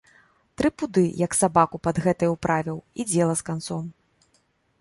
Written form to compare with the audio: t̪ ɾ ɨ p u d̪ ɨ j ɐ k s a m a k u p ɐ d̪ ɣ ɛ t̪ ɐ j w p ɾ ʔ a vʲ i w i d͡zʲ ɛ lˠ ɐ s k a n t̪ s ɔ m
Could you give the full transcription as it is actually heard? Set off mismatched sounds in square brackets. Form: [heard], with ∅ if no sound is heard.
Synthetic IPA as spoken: t̪ ɾ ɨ p u d̪ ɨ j ɐ k s a [b] a k u p ɐ d̪ ɣ ɛ t̪ ɐ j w p ɾ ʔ a vʲ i w i d͡zʲ ɛ lˠ ɐ s k a n t̪ s ɔ m